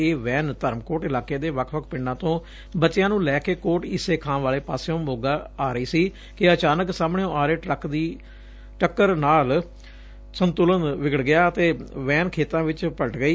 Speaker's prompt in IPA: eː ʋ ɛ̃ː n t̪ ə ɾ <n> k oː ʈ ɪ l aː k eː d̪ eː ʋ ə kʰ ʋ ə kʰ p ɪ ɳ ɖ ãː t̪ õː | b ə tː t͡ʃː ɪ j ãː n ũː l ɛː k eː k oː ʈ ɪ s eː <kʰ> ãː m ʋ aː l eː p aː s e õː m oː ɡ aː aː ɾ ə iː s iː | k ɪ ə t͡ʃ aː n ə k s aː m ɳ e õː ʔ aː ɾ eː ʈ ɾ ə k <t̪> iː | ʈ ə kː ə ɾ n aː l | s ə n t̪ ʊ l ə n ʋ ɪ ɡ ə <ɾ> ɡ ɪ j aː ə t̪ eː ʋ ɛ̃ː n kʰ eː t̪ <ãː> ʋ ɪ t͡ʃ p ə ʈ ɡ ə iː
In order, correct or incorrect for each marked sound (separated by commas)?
incorrect, correct, incorrect, incorrect, correct